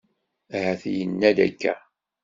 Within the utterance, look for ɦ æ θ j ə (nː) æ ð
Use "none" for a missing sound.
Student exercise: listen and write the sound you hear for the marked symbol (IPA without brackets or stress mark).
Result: nː